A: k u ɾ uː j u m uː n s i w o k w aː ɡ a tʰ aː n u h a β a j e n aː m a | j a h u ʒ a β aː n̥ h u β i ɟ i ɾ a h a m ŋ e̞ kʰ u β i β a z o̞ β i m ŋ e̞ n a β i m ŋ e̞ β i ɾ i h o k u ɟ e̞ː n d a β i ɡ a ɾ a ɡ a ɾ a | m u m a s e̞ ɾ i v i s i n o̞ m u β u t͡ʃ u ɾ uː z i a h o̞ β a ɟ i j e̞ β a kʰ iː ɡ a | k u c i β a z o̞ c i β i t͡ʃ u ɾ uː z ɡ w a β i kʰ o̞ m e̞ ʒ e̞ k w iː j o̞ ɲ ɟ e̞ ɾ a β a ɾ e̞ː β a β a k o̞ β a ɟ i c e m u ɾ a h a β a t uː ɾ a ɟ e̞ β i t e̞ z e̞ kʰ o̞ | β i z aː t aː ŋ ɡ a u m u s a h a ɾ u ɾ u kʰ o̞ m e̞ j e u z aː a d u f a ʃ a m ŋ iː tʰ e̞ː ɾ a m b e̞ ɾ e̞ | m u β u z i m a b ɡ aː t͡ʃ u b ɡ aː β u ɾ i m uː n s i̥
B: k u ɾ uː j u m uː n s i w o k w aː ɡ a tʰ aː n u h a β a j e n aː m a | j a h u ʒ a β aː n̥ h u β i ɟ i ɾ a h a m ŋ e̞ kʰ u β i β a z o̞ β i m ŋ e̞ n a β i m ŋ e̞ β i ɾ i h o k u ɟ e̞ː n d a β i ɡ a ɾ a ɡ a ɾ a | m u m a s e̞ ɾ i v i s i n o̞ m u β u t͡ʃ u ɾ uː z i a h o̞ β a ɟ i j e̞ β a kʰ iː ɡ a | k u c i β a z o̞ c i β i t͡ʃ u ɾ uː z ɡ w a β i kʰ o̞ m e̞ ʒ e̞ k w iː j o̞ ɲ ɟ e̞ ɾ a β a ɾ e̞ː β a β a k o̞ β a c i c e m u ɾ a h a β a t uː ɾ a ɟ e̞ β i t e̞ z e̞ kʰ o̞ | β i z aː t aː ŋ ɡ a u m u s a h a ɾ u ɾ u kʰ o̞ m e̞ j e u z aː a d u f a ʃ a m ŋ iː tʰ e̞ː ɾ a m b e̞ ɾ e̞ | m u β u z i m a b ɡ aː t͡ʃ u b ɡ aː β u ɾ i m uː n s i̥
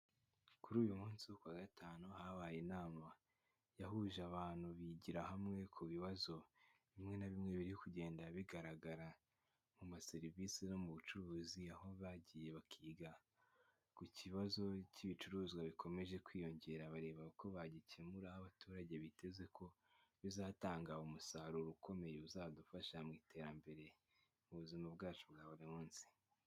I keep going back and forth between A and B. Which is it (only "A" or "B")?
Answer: A